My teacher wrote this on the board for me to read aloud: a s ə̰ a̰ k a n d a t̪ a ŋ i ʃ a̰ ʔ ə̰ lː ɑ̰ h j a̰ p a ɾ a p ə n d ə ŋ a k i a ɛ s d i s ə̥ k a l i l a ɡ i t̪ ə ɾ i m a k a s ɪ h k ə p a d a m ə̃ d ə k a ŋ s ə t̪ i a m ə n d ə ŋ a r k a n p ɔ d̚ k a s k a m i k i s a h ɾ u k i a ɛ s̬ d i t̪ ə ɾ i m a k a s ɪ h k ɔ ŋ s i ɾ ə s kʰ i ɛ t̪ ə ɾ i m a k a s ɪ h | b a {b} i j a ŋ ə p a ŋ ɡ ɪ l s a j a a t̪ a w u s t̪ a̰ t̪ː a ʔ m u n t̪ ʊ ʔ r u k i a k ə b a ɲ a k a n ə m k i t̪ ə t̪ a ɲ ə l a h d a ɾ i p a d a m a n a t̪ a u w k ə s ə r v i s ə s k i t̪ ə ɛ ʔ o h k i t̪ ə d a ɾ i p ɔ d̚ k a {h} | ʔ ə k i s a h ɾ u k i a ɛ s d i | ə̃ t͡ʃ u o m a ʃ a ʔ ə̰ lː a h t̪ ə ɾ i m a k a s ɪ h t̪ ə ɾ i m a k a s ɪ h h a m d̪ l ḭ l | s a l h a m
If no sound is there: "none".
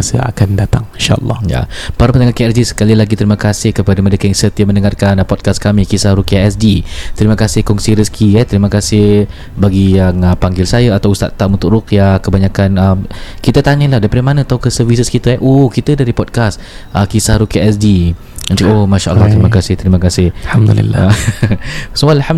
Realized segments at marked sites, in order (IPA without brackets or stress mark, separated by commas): ɡ, s